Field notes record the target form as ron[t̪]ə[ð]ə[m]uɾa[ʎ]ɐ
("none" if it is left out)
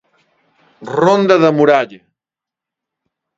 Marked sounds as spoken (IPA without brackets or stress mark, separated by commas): d̪, ð, m, ʎ